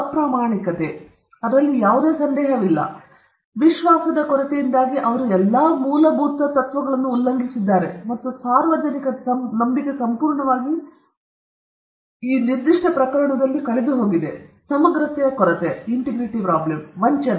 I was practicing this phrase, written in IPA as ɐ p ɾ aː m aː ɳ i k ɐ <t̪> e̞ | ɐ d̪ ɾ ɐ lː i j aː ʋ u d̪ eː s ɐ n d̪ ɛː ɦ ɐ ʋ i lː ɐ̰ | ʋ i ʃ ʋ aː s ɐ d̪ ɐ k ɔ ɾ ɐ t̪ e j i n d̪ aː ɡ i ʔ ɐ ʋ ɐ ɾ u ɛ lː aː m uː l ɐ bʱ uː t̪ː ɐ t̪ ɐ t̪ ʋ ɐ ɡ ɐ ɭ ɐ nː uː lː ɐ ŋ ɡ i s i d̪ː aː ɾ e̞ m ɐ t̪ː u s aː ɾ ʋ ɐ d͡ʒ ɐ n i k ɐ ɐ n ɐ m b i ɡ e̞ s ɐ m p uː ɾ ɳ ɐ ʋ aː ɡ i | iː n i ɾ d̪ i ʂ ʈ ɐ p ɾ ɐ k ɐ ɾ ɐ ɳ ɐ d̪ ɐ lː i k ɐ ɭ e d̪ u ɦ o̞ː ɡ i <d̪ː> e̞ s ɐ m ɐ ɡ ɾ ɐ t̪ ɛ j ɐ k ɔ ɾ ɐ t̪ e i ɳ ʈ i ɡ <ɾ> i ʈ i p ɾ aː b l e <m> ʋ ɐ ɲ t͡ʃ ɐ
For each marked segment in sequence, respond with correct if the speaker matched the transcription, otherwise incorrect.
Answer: correct, incorrect: d̪, correct, correct

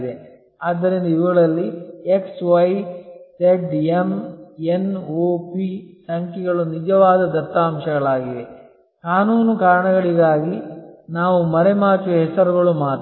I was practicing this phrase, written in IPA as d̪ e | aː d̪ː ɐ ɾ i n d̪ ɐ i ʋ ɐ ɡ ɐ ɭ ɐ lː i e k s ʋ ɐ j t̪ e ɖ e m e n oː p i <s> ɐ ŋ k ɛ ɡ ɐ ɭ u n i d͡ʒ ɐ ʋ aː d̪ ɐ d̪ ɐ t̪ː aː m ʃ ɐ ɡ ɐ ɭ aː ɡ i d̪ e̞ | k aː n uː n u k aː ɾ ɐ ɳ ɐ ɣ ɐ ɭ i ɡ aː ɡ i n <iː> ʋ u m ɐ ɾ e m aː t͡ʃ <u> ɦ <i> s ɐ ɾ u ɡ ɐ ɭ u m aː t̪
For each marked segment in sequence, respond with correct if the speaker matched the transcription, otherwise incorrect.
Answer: correct, incorrect: aː, correct, incorrect: ɛ

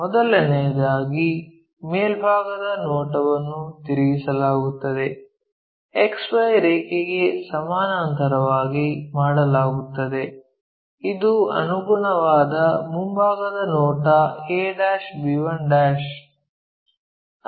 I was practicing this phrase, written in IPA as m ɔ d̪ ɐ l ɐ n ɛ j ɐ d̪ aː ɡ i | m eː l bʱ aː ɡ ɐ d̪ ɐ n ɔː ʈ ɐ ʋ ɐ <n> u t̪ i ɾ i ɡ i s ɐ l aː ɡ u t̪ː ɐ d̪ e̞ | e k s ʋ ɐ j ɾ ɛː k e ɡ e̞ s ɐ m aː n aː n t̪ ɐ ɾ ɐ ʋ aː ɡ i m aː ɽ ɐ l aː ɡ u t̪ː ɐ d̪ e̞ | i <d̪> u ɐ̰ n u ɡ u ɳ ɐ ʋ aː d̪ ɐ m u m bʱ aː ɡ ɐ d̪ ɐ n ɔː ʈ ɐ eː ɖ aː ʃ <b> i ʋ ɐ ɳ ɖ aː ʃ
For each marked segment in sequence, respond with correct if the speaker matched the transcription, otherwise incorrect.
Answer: incorrect: nː, correct, correct

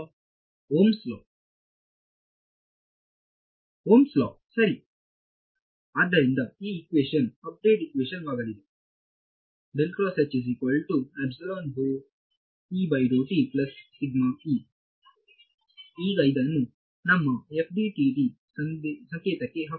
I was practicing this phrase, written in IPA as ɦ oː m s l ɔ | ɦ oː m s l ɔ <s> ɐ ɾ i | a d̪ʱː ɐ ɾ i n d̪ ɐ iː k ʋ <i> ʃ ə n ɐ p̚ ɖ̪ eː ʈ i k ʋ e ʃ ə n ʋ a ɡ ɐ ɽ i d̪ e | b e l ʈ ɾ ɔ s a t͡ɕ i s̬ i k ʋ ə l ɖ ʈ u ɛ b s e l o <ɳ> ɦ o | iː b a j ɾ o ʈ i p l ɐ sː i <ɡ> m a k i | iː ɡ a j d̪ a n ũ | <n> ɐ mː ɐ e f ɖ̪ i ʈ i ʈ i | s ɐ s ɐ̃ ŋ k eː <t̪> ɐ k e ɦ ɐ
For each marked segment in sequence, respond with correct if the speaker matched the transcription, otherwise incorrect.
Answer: correct, incorrect: e, incorrect: n, correct, correct, correct

